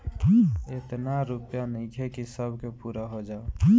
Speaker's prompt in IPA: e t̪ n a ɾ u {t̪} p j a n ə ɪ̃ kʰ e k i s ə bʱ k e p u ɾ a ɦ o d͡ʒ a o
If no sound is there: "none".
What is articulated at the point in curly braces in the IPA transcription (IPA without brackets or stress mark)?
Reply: none